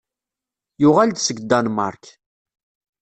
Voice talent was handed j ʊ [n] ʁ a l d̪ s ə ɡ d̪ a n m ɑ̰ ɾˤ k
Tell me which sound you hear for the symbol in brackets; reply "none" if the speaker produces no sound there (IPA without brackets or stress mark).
none